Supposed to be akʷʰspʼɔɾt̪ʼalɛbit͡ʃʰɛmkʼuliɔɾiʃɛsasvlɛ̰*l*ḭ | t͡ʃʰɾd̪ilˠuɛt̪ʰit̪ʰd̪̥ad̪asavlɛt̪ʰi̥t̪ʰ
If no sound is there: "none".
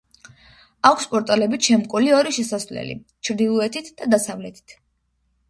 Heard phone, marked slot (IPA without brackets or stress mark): l